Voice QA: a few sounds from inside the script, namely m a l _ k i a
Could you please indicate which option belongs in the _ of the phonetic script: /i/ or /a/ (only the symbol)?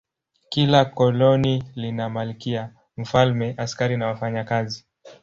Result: i